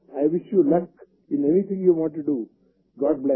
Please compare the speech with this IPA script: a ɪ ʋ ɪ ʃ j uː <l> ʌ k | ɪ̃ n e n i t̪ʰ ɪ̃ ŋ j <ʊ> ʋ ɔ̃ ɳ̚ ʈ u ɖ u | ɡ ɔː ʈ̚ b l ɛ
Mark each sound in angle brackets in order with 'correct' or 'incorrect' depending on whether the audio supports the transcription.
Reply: correct, incorrect: u

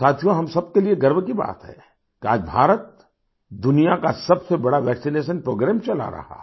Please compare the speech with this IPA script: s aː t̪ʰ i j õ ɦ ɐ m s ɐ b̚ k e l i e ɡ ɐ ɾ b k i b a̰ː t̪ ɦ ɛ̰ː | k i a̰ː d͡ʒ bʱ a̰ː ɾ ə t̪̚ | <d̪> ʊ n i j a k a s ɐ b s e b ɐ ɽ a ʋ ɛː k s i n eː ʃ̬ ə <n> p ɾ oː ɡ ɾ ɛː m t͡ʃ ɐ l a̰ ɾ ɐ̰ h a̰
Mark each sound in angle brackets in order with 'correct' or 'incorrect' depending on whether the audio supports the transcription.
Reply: correct, correct

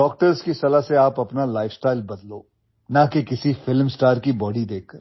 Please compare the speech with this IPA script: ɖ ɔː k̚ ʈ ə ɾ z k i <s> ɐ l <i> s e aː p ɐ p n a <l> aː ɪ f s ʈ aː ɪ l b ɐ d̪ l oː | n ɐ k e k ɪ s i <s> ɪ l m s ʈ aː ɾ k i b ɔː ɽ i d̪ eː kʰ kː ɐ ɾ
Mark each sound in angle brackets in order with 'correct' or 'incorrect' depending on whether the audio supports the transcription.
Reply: correct, incorrect: a, correct, incorrect: f

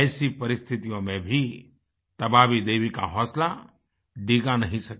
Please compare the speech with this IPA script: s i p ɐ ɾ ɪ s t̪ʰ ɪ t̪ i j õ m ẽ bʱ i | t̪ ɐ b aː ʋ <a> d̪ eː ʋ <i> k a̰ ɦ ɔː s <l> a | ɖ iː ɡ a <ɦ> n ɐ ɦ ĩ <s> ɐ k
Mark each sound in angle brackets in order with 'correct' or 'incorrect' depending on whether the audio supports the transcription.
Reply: incorrect: i, correct, correct, incorrect: none, correct

